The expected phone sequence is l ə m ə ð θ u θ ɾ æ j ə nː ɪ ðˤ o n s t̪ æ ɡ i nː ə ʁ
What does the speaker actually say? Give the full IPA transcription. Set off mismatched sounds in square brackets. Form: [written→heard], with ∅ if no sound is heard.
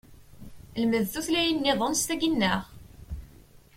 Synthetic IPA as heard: l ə m ə ð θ u θ [ɾ→l] æ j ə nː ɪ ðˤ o n s t̪ æ ɡ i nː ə ʁ

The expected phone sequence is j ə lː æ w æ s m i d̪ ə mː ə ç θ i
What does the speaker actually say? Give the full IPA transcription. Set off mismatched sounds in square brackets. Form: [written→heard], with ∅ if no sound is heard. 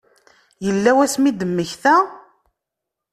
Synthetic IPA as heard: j ə lː æ w æ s m i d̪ ə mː ə ç θ [i→æ]

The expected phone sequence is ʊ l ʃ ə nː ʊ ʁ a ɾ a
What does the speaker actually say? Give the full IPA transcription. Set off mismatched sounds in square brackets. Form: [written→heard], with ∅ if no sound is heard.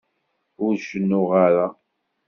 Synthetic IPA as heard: ʊ [l→ɾ] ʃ ə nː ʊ ʁ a ɾ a

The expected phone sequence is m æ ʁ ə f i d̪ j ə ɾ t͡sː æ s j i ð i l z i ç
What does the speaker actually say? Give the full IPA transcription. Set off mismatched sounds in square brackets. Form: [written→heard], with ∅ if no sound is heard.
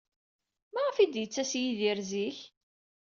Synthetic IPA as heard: m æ ʁ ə f i d̪ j ə [ɾ→∅] t͡sː æ s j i ð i [l→ɾ] z i ç

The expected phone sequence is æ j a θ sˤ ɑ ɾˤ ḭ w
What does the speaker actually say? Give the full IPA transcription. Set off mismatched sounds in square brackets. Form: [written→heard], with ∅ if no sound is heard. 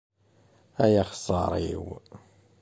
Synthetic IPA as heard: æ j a [θ→χ] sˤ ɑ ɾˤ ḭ w

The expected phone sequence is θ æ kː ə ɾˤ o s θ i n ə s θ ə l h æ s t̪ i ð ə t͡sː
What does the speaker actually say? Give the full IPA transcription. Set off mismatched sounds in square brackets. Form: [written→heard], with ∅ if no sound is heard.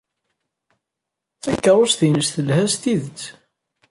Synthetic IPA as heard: θ æ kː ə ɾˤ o s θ i n ə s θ ə l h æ s t̪ i ð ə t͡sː

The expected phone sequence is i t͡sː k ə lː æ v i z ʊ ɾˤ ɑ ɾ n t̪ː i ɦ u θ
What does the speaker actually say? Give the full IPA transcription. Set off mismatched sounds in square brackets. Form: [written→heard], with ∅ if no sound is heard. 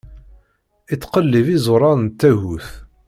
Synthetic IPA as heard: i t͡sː [k→q] ə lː [æ→i] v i z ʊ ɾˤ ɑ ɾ n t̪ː [i→æ] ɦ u θ

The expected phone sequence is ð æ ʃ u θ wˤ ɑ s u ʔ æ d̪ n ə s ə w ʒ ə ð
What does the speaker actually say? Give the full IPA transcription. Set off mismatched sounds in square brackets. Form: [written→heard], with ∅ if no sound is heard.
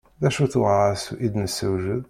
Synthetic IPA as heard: ð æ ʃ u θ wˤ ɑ s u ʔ [æ→i] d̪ n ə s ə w ʒ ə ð

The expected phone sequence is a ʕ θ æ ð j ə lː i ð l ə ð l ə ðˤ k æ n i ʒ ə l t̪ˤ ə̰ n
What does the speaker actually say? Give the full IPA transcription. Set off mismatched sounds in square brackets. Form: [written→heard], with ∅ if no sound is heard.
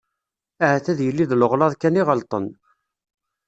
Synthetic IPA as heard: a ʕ θ æ ð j ə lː i ð l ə [ð→ʁ] l [ə→ɑ] ðˤ k æ n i [ʒ→ʁ] ə l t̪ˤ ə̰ n

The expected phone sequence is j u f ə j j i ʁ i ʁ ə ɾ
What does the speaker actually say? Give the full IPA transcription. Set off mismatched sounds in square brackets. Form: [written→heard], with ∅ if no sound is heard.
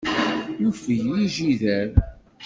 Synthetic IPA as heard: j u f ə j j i [ʁ→ʒ] i [ʁ→ð] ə ɾ

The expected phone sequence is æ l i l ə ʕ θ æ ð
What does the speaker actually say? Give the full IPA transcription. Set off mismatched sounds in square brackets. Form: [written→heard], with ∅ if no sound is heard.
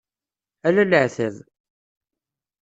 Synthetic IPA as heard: æ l [i→æ] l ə ʕ θ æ ð

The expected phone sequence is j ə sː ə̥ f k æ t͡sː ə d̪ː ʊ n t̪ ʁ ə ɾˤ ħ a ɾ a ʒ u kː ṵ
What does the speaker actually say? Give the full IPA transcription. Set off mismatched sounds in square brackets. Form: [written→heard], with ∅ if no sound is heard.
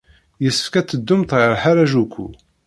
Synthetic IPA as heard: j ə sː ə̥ f k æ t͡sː ə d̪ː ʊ [n→m] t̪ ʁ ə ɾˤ ħ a ɾ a ʒ u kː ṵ

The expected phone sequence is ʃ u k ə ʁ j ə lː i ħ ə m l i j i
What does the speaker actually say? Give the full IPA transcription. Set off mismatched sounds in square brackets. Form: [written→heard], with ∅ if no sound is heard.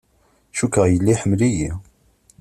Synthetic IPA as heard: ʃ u k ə ʁ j ə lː i ħ ə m l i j i

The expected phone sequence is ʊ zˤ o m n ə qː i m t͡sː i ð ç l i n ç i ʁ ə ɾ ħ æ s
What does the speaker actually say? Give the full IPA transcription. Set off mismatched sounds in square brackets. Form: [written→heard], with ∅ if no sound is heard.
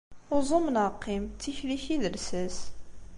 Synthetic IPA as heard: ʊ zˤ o m n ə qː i m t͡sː i [ð→∅] ç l i [n→∅] ç i [ʁ→ð] ə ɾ [ħ→s] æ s

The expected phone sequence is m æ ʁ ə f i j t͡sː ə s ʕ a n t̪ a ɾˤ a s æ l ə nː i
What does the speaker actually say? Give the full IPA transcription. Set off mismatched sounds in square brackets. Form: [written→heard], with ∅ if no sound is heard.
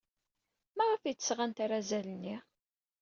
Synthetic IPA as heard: m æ ʁ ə f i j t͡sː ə s [ʕ→ʁ] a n t̪ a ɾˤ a [s→z] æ l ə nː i

